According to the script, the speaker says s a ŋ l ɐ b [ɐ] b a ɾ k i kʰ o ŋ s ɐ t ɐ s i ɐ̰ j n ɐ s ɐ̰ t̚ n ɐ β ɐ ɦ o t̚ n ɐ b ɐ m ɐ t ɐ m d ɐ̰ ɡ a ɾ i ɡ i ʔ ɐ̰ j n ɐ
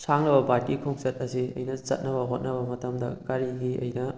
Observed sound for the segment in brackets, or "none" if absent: ɐ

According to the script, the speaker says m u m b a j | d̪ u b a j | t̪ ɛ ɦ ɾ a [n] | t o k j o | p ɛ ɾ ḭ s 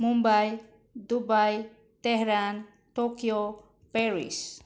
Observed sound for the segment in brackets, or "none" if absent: n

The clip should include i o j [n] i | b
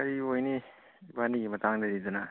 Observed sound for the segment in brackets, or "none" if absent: n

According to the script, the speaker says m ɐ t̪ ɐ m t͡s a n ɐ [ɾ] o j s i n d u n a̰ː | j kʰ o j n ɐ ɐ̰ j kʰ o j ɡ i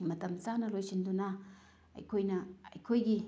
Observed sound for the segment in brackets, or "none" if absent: l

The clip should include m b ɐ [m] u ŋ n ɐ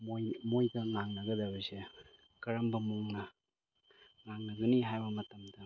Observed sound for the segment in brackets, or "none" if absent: m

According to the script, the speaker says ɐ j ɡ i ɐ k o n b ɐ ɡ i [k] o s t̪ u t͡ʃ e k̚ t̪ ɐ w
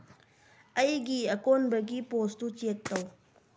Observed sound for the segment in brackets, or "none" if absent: p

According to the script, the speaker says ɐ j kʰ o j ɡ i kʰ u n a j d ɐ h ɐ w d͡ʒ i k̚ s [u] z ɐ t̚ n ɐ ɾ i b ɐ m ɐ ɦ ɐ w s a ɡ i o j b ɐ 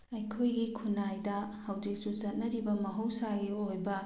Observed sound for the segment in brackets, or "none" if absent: u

